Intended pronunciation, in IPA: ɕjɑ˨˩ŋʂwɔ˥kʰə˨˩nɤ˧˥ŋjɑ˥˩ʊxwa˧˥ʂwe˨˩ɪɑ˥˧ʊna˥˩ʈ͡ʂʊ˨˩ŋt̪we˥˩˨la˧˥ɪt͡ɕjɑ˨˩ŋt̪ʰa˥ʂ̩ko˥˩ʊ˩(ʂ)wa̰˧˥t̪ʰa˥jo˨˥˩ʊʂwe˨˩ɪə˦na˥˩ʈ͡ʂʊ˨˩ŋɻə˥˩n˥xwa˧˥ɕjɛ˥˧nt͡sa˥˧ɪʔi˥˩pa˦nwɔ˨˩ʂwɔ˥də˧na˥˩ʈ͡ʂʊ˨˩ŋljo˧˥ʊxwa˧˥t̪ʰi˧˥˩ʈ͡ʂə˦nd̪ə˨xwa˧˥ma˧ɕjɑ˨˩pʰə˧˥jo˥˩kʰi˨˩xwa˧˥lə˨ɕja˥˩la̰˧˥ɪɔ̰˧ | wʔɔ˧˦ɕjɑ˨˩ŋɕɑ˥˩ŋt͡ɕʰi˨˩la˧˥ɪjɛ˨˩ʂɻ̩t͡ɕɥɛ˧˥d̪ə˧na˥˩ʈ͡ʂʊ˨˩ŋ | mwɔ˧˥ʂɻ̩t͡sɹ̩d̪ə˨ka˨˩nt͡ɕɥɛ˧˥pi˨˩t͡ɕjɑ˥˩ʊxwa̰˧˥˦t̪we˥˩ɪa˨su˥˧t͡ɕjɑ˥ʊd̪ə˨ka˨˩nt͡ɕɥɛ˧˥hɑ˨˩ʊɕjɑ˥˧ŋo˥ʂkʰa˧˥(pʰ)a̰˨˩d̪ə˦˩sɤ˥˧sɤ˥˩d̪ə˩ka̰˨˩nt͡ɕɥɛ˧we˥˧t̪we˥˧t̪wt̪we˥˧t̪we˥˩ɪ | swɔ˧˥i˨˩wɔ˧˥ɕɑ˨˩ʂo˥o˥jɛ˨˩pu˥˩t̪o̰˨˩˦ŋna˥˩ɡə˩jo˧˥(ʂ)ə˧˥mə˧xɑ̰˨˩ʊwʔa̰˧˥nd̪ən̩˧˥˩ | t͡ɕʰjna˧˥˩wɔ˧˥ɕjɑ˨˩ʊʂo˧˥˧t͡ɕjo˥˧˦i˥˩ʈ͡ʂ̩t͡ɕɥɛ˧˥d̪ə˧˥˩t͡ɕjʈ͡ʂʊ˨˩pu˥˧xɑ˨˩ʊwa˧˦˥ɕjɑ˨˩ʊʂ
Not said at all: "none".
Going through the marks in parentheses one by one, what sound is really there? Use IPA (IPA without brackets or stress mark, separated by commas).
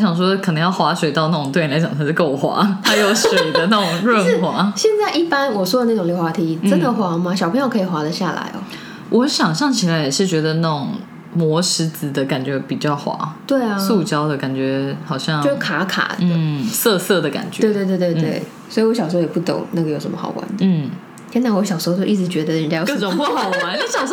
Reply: x, kʰ, ʂ